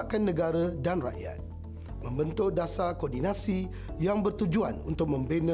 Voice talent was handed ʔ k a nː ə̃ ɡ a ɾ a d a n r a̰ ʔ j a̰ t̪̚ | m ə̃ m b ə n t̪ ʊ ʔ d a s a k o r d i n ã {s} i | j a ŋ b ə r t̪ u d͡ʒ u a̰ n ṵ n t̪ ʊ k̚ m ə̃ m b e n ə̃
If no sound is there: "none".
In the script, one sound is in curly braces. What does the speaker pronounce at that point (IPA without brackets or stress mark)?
s